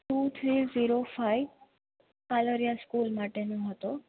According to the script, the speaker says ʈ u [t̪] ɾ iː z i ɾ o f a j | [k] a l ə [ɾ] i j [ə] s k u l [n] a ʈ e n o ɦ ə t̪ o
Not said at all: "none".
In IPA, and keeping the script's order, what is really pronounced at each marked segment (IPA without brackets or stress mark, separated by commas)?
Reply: t̪ʰ, k, ɾ, a, m